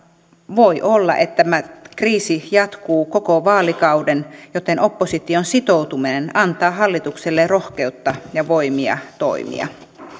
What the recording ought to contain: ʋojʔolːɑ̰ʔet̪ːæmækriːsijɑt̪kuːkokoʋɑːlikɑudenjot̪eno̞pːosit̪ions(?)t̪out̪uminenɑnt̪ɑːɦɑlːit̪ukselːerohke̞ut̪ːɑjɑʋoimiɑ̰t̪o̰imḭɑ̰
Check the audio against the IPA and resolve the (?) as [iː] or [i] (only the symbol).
i